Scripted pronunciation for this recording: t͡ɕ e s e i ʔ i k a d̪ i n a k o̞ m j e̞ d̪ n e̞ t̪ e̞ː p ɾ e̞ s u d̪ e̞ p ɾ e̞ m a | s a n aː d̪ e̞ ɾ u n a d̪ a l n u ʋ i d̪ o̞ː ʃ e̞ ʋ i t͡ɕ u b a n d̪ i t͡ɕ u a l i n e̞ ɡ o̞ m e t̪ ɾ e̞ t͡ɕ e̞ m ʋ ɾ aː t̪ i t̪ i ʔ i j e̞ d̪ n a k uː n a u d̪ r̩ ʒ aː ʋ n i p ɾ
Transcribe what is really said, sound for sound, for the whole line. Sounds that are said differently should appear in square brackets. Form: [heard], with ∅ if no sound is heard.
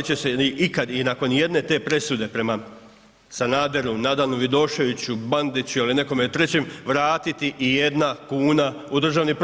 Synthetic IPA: t͡ɕ e s e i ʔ i k a d̪ i n a k o̞ [n] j e̞ d̪ n e̞ t̪ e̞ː p ɾ e̞ s u d̪ e̞ p ɾ e̞ m a | s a n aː d̪ e̞ ɾ u n a d̪ a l n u ʋ i d̪ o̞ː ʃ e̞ ʋ i t͡ɕ u b a n d̪ i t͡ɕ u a l i n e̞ [k] o̞ m e t̪ ɾ e̞ t͡ɕ e̞ m ʋ ɾ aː t̪ i t̪ i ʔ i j e̞ d̪ n a k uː n a u d̪ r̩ ʒ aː ʋ n i p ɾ